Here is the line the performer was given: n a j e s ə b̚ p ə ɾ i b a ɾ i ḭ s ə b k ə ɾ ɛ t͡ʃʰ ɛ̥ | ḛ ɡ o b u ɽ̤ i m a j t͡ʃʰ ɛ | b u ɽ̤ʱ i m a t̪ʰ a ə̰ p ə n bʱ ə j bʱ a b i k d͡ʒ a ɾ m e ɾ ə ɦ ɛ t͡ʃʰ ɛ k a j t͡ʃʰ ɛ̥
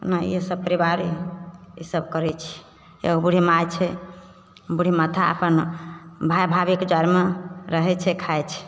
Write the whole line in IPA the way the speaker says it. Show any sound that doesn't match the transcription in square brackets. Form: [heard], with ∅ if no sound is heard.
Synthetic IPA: n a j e s ə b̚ p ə ɾ i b a ɾ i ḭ s ə b k ə ɾ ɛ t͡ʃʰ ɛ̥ | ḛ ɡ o b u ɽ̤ i m a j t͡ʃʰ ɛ | b u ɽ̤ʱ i m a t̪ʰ a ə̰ p ə n bʱ [a] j bʱ a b i k d͡ʒ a ɾ m e ɾ ə ɦ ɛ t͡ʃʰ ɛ [kʰ] a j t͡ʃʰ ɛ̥